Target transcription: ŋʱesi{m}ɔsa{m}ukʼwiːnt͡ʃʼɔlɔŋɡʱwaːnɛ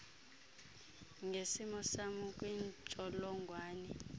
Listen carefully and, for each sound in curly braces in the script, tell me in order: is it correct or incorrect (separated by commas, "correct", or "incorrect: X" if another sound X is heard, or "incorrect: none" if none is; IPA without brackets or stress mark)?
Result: correct, correct